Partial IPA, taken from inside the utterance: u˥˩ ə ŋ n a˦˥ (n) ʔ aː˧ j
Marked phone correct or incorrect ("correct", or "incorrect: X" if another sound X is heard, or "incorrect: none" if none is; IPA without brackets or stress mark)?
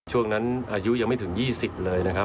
correct